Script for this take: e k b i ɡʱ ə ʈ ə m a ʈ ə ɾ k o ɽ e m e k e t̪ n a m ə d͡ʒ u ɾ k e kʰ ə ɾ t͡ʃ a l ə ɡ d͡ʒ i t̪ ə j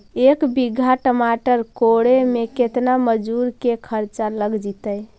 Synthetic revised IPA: e k b i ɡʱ a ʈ ə m a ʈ ə ɾ k o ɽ e m e k e t̪ n a m ə d͡ʒ u ɾ k e kʰ ə ɾ t͡ʃ a l ə ɡ d͡ʒ i t̪ ə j

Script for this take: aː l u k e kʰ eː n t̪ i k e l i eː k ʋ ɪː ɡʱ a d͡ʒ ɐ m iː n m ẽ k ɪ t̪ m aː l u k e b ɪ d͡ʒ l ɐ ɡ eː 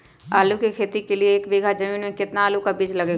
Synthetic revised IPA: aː l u k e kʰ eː t̪ i k e l i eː k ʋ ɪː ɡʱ a d͡ʒ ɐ m iː n m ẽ k ɪ t̪ n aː l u k a b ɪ d͡ʒ l ɐ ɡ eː

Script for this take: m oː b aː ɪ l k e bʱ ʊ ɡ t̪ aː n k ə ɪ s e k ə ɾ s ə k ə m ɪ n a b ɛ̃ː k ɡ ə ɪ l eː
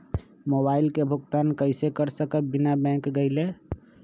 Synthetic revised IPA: m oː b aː ɪ l k e bʱ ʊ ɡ t̪ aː n k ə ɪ s e k ə ɾ s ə k ə b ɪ n a b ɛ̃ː k ɡ ə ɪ l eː

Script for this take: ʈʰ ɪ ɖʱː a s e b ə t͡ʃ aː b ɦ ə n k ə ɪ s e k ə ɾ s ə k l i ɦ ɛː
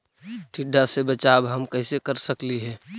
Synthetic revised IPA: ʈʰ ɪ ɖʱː a s e b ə t͡ʃ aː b ɦ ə m k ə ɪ s e k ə ɾ s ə k l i ɦ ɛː

